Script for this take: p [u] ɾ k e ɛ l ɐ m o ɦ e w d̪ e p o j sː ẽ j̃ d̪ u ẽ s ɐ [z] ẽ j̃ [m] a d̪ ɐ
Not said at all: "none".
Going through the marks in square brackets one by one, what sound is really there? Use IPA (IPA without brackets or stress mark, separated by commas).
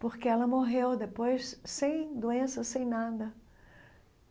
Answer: o, s, n